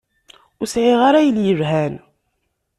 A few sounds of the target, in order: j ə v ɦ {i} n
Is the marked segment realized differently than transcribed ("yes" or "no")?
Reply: yes